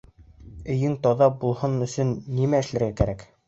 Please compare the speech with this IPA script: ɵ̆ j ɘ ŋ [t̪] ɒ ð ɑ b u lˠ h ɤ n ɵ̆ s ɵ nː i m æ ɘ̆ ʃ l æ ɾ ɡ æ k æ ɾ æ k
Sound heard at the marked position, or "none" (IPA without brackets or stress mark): t̪